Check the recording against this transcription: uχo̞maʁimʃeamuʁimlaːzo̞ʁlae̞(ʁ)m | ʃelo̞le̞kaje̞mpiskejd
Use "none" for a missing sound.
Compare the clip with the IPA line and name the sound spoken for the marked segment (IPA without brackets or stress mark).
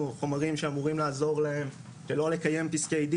none